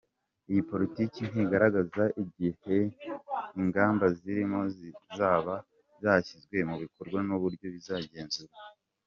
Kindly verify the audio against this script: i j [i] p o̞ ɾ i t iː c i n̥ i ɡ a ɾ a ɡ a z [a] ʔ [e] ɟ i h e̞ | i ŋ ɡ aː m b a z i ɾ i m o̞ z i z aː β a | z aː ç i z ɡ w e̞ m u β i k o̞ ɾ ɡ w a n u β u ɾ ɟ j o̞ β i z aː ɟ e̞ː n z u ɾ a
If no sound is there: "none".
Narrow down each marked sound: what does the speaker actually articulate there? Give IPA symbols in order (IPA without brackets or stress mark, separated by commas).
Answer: i, a, i